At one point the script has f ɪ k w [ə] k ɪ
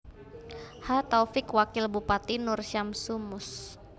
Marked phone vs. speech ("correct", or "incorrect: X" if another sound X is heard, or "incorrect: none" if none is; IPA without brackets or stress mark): incorrect: a